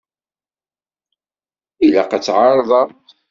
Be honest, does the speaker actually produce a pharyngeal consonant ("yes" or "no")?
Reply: yes